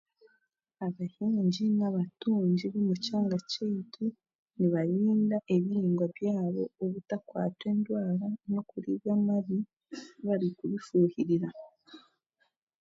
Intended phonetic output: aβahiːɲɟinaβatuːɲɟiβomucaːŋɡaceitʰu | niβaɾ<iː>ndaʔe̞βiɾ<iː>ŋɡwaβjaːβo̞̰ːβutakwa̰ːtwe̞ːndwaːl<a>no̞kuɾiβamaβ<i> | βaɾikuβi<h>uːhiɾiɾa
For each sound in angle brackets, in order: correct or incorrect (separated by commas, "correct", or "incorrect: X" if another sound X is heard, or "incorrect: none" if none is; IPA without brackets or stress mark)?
correct, correct, correct, correct, incorrect: f